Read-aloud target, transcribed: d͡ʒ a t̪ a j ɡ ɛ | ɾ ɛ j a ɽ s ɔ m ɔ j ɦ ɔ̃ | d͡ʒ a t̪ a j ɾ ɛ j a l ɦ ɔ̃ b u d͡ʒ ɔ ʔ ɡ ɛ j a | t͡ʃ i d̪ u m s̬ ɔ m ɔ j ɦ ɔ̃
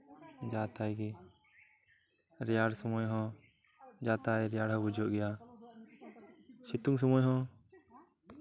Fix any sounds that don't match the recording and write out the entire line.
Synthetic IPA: d͡ʒ a t̪ a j ɡ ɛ | ɾ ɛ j a ɽ s ɔ m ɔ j ɦ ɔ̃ | d͡ʒ a t̪ a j ɾ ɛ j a ɽ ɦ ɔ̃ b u d͡ʒ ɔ ʔ ɡ ɛ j a | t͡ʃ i t̪ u ŋ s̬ ɔ m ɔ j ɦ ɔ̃